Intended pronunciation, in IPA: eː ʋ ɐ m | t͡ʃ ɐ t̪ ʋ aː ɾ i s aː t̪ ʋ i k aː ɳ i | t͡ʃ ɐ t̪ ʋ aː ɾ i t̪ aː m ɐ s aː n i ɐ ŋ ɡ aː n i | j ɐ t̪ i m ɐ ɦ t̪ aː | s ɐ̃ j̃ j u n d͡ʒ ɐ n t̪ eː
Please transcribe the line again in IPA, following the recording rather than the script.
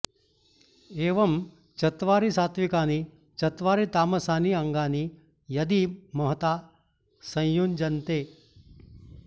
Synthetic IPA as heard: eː ʋ ɐ m | t͡ʃ ɐ t̪ ʋ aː ɾ i s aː t̪ ʋ i k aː n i | t͡ʃ ɐ t̪ ʋ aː ɾ i t̪ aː m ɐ s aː n i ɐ ŋ ɡ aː n i | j ɐ d̪ i m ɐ ɦ t̪ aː | s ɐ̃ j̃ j u n d͡ʒ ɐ n t̪ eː